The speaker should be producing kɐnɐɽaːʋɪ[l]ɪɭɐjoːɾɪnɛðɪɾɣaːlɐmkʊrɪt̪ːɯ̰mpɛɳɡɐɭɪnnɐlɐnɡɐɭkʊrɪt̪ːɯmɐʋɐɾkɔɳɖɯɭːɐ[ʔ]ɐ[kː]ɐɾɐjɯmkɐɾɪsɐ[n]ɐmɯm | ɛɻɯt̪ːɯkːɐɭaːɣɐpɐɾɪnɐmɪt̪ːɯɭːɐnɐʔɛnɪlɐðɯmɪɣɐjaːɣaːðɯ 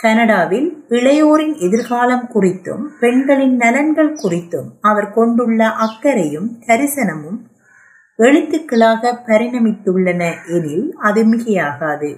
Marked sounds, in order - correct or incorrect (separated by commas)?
correct, correct, correct, correct